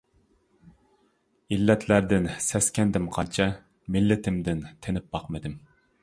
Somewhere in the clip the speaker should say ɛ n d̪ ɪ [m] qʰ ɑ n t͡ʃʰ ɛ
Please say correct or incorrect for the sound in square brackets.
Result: correct